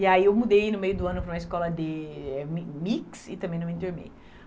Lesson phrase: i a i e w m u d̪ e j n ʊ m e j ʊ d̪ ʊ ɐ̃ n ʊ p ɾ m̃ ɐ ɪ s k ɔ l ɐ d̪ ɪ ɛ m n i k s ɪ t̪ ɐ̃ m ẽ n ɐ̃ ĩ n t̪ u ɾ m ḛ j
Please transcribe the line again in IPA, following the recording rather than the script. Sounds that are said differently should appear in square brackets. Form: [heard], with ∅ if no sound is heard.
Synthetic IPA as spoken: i a i e w m u d̪ e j n ʊ m e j ʊ d̪ ʊ ɐ̃ n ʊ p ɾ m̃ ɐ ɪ s k ɔ l ɐ d̪ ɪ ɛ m [m] i k s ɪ t̪ ɐ̃ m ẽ n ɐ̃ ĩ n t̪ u ɾ m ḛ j